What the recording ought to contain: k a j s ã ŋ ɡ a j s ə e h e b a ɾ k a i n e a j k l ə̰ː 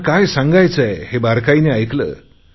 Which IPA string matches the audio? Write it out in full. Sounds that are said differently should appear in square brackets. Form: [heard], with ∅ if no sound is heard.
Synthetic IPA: k a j s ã ŋ ɡ a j [t͡s] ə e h e b a ɾ k a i n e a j k l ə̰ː